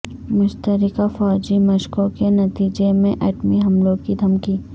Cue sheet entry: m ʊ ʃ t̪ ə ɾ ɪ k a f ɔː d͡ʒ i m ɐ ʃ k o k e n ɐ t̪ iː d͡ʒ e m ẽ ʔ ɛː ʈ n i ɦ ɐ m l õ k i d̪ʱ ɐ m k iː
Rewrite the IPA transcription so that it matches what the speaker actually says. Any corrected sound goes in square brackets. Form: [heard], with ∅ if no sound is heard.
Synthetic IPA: m ʊ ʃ t̪ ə ɾ ɪ k a f ɔː d͡ʒ i m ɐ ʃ k o k e n ɐ t̪ iː d͡ʒ e m ẽ ʔ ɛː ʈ [m] i ɦ ɐ m l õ k i d̪ʱ ɐ m k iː